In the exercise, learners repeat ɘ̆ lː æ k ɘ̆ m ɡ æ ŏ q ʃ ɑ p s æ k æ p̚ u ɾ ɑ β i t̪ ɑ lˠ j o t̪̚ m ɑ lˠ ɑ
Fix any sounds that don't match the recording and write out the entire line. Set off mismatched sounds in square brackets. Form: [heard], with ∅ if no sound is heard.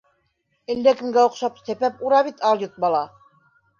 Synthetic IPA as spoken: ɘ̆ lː æ k ɘ̆ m ɡ æ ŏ q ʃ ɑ p s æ [p] æ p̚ u ɾ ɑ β i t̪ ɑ lˠ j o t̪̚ [b] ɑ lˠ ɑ